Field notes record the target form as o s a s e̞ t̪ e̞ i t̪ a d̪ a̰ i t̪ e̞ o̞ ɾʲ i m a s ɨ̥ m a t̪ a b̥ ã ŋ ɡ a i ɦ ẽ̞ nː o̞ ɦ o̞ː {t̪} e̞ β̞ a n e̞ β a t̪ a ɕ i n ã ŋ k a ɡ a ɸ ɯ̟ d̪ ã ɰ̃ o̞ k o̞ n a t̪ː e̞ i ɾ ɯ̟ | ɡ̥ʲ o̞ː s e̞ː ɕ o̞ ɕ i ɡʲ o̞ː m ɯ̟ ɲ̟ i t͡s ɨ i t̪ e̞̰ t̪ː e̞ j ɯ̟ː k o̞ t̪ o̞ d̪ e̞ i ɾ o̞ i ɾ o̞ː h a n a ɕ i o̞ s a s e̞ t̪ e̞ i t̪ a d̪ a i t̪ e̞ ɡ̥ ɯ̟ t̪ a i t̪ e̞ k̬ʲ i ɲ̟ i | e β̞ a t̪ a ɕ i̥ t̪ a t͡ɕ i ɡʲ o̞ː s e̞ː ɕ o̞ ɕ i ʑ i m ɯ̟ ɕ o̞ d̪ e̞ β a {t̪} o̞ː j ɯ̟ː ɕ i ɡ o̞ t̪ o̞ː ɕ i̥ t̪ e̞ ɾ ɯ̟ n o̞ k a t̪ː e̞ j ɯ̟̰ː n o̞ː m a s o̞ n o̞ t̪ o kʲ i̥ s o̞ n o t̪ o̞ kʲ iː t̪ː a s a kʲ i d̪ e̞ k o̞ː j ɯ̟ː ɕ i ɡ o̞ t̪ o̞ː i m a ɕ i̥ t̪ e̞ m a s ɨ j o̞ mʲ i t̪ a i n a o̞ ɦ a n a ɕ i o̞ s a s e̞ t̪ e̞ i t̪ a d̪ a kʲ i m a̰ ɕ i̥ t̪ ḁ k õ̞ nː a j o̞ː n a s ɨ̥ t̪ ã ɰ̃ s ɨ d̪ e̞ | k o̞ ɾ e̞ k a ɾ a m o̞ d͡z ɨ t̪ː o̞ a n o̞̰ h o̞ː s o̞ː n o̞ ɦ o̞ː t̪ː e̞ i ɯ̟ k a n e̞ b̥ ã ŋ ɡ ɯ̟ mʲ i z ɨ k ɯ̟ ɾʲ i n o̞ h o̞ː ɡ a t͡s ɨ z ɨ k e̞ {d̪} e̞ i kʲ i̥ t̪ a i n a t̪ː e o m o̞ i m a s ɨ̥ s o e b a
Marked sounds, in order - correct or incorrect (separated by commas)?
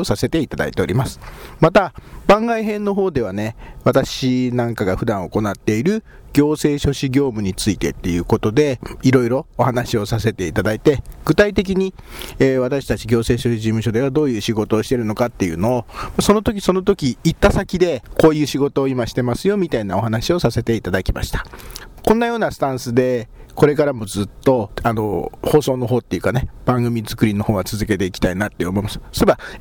incorrect, incorrect, incorrect